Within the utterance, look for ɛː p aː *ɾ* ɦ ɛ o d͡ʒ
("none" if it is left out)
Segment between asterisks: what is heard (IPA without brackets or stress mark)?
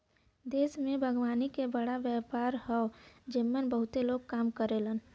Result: ɾ